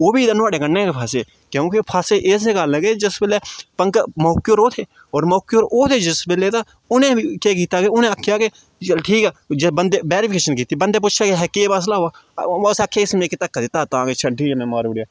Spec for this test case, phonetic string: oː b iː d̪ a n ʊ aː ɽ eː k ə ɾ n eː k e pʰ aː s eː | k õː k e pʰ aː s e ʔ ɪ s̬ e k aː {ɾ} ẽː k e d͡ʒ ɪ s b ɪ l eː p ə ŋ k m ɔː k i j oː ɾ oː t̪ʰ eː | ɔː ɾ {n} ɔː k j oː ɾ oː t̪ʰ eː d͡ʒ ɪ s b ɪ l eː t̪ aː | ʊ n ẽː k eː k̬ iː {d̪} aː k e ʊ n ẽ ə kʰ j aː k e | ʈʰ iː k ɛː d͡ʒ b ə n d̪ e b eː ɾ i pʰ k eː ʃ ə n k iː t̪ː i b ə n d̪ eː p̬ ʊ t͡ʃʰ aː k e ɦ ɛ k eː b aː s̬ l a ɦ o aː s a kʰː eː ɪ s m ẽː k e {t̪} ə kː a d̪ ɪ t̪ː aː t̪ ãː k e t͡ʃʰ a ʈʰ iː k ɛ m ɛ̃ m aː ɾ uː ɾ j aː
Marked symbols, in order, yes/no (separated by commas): no, no, no, yes